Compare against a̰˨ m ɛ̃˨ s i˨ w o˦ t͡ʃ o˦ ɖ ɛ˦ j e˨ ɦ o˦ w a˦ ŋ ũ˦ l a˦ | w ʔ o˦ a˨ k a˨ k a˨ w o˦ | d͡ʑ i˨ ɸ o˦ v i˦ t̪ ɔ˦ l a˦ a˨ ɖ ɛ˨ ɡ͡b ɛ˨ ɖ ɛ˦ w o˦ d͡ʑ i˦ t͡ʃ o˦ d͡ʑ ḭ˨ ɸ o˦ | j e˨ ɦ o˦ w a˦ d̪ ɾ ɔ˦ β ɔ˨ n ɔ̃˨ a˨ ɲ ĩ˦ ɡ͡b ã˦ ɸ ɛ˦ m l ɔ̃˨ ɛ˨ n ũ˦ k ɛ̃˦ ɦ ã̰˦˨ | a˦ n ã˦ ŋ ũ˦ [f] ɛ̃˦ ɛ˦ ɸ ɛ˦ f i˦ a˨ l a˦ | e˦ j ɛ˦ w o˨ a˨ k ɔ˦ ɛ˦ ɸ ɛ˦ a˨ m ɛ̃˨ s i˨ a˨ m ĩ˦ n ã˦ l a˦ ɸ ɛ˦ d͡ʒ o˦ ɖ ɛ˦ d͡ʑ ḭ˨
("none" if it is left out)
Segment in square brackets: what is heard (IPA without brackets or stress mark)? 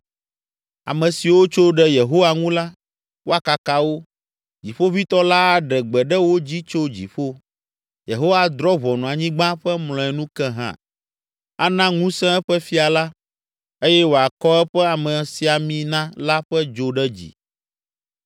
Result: s